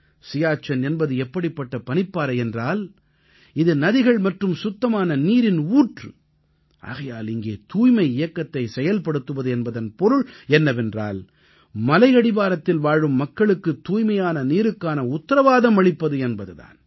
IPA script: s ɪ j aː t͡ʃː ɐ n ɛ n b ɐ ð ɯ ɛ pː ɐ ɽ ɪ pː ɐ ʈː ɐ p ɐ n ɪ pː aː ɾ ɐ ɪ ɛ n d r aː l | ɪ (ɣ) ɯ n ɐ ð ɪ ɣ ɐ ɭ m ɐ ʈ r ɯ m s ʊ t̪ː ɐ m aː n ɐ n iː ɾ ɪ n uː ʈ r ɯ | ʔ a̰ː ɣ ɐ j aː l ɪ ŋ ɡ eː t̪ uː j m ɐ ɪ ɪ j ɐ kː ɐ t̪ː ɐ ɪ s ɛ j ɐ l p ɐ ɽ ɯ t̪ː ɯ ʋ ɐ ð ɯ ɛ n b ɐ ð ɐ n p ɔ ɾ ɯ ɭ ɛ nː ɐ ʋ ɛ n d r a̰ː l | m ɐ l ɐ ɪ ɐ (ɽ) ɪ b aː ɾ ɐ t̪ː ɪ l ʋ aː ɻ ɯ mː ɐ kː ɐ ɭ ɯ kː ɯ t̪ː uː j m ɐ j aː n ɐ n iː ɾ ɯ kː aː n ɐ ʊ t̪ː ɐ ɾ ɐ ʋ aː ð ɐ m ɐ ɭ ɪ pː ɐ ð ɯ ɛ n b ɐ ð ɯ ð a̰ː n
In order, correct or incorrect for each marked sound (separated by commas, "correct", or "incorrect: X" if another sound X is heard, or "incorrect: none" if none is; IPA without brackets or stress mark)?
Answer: incorrect: ð, correct